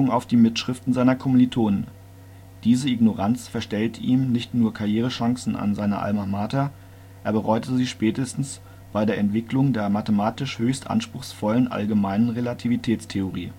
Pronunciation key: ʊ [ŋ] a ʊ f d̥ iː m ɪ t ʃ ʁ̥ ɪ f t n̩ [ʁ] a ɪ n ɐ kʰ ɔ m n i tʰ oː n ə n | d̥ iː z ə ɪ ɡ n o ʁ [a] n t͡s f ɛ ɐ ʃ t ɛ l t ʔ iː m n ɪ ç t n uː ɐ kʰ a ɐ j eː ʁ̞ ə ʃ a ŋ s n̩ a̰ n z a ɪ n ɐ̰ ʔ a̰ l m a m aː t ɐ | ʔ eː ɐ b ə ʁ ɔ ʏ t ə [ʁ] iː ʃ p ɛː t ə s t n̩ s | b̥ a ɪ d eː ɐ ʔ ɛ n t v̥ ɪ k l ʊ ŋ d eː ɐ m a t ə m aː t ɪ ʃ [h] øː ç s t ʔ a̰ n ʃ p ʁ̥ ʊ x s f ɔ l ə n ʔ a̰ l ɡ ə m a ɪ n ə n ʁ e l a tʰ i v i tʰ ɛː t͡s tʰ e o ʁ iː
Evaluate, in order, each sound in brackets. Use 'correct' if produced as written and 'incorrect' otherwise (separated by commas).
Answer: correct, incorrect, correct, incorrect, correct